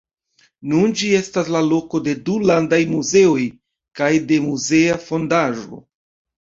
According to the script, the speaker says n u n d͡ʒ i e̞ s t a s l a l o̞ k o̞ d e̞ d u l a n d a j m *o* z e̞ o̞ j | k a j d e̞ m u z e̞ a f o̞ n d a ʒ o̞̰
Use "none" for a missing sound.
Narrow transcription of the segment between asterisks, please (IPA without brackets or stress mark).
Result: u